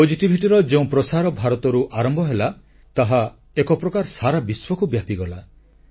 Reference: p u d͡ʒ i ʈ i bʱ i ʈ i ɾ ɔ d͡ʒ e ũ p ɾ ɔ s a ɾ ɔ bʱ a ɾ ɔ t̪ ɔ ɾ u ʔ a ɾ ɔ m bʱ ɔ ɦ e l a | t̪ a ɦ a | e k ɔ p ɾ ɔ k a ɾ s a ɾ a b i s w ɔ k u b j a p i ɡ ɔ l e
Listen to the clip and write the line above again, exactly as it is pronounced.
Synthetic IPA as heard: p o d͡ʒ i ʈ i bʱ i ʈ i ɾ ɔ d͡ʒ e ũ p ɾ ɔ s a ɾ ɔ bʱ a ɾ ɔ t̪ ɔ ɾ u ʔ a ɾ ɔ m bʱ ɔ ɦ e l a | t̪ a ɦ a | e k ɔ p ɾ ɔ k a ɾ s a ɾ a b i s w ɔ k u b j a p i ɡ ɔ l a